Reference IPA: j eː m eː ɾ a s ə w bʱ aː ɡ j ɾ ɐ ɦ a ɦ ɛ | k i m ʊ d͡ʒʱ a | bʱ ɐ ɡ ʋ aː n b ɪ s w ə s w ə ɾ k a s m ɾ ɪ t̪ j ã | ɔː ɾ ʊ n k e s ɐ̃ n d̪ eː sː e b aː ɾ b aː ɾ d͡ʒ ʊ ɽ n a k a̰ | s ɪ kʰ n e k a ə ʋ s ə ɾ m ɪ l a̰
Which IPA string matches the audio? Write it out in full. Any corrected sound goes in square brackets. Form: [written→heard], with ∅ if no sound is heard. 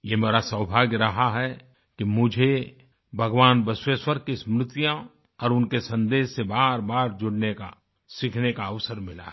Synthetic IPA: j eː m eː ɾ a s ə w bʱ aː ɡ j ɾ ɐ ɦ a ɦ ɛ | k i m ʊ d͡ʒʱ [a→e] | bʱ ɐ ɡ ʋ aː n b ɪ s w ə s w ə ɾ k [a→i] s m ɾ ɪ t̪ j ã | ɔː ɾ ʊ n k e s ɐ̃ n d̪ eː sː e b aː ɾ b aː ɾ d͡ʒ ʊ ɽ n [a→e] k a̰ | s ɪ kʰ n e k a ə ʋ s ə ɾ m ɪ l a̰

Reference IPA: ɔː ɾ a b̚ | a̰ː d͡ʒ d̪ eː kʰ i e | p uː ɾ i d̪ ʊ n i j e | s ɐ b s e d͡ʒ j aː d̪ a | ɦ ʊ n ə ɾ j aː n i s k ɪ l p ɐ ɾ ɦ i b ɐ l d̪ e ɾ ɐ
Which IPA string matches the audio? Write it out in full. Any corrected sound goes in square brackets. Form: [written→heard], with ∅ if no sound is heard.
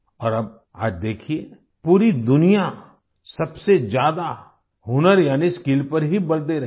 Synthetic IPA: ɔː ɾ [a→ɐ] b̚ | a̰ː d͡ʒ d̪ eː kʰ i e | p uː ɾ i d̪ ʊ n i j [e→a] | s ɐ b s e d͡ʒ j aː d̪ a | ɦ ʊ n ə ɾ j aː n i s k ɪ l p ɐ ɾ ɦ i b ɐ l d̪ e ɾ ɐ

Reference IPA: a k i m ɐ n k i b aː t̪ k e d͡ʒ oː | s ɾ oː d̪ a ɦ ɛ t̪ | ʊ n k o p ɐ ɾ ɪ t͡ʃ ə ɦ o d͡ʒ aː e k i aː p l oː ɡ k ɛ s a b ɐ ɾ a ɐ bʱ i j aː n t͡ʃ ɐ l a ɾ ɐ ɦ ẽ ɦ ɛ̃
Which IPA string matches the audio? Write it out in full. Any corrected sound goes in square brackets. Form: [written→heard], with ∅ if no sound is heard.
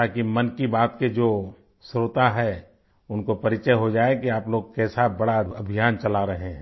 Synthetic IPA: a k i m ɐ n k i b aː t̪ k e d͡ʒ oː | s ɾ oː [d̪→t̪] a ɦ ɛ [t̪→∅] | ʊ n k o p ɐ ɾ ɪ t͡ʃ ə ɦ o d͡ʒ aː e k i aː p l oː ɡ k ɛ s a b ɐ [ɾ→ɽ] a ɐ bʱ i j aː n t͡ʃ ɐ l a ɾ ɐ ɦ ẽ ɦ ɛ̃

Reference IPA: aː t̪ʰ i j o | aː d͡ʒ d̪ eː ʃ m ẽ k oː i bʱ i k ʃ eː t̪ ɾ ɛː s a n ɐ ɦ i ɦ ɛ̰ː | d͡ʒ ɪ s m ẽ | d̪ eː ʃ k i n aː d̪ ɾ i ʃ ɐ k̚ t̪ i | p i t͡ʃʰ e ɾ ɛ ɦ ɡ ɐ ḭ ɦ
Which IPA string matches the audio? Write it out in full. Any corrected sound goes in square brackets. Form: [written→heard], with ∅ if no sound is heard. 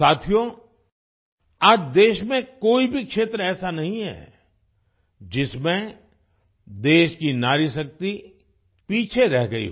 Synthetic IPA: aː t̪ʰ i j o | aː d͡ʒ d̪ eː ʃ m ẽ k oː i bʱ i k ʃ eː t̪ ɾ ɛː s a n ɐ ɦ [i→ĩ] ɦ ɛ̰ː | d͡ʒ ɪ s m ẽ | d̪ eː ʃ k i n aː [d̪→∅] ɾ i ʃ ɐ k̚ t̪ i | p [i→iː] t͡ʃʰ e ɾ ɛ ɦ ɡ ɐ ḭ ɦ

